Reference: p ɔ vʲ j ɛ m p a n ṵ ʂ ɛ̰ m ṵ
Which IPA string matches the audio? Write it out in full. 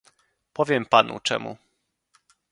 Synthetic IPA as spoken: p ɔ vʲ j ɛ m p a n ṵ t͡ʂ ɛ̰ m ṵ